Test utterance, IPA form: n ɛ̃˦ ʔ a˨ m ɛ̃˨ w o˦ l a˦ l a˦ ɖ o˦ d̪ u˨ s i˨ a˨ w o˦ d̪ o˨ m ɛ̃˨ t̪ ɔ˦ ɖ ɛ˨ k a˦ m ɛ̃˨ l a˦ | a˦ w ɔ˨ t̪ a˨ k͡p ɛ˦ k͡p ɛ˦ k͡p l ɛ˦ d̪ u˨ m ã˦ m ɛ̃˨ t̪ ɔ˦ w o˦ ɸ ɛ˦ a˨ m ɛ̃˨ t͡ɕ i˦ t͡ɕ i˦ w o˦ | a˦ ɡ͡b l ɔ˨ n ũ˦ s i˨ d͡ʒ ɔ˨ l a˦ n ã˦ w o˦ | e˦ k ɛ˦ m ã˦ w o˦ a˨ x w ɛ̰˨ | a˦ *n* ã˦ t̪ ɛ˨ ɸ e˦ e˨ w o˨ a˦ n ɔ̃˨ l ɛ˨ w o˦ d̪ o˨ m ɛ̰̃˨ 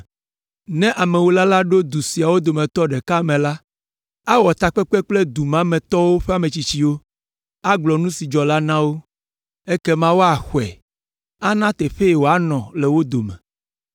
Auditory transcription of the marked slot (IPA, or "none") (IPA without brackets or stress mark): n